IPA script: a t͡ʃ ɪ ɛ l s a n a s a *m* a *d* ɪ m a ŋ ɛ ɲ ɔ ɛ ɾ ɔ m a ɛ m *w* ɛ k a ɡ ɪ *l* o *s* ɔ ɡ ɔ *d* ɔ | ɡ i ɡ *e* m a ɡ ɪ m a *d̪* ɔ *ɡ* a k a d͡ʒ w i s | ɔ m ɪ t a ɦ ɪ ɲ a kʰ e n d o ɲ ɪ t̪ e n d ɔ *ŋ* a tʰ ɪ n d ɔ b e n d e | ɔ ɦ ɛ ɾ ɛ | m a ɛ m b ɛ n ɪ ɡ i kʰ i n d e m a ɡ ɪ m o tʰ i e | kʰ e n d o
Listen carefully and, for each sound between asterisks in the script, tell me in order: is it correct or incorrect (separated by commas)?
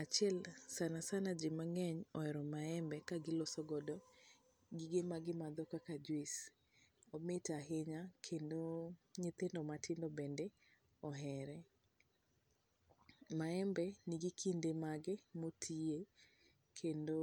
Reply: incorrect, incorrect, incorrect, correct, correct, correct, correct, correct, incorrect, incorrect